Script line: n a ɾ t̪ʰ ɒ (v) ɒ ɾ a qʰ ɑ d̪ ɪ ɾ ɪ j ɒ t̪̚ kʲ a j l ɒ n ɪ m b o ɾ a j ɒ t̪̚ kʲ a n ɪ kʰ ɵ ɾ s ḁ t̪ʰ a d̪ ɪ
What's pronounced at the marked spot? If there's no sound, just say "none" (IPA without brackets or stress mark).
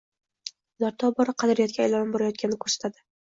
b